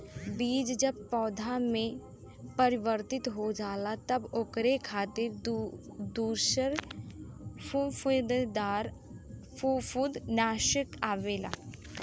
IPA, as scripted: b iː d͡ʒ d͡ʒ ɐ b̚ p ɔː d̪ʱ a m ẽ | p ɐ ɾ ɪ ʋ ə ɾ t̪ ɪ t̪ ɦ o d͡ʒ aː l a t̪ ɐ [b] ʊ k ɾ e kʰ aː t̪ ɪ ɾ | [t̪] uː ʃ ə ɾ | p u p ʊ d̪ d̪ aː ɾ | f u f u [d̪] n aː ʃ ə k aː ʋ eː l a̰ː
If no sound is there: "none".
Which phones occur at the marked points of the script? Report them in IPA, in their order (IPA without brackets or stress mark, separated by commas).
b, d̪, d̪